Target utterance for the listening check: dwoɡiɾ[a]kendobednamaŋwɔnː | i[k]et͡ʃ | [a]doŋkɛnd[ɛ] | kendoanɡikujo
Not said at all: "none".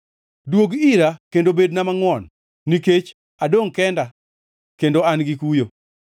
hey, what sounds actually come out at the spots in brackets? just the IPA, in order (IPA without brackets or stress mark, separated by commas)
a, k, a, a